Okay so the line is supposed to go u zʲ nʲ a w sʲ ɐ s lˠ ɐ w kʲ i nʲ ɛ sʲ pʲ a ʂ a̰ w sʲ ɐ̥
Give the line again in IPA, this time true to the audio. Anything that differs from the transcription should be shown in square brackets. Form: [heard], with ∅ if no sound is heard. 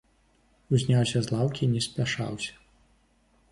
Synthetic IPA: u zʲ nʲ a w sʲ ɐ [z] lˠ [a] w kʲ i nʲ ɛ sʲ pʲ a ʂ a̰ w sʲ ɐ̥